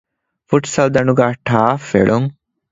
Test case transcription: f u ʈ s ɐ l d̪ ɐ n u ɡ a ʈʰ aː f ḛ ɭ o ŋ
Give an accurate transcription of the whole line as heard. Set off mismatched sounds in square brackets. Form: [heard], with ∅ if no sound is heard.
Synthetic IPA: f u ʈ s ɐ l d̪ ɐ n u ɡ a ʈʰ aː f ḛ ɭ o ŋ